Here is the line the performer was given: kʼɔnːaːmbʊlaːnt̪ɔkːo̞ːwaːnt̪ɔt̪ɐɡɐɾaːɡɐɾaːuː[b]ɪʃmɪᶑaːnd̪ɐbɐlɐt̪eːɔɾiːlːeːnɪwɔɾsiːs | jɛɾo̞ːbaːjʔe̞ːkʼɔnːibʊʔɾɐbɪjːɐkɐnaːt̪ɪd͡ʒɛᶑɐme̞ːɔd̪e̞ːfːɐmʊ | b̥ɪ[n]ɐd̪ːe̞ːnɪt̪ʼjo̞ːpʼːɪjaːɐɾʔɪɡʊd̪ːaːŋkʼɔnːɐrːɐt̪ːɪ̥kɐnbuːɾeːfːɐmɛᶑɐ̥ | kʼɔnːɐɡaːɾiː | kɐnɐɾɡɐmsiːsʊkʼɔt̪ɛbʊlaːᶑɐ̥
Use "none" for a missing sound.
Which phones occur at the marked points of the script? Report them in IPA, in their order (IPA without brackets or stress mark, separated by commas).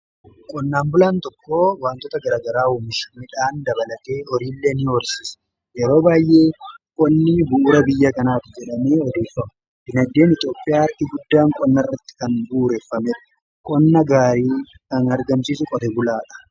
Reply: m, n